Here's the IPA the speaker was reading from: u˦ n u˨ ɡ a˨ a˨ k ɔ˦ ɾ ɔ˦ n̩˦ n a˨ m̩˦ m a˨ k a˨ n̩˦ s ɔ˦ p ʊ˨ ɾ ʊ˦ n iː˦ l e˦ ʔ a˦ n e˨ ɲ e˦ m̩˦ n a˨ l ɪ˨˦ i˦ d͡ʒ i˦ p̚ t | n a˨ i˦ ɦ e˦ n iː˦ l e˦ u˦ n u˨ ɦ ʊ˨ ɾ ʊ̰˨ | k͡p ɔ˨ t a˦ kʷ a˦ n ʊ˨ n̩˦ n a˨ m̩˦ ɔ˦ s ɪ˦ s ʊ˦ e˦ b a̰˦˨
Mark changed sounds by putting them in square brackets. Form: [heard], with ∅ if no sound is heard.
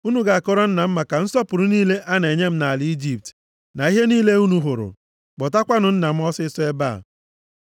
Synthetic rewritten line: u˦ n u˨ ɡ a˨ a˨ k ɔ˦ ɾ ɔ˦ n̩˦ n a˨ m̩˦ m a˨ k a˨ n̩˦ s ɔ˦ p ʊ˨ ɾ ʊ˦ n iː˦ l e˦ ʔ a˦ n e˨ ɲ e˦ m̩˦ n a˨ l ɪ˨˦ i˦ d͡ʒ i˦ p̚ t | n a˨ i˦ ɦ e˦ n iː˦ l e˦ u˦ n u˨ ɦ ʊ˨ ɾ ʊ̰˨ | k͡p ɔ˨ t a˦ kʷ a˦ n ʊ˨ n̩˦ n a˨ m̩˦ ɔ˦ s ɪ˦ s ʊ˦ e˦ b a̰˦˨